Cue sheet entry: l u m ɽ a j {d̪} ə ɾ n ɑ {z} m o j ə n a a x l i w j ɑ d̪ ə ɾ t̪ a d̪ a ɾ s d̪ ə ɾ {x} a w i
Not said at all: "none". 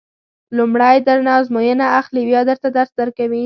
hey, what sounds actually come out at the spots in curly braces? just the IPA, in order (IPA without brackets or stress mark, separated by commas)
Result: d̪, z, k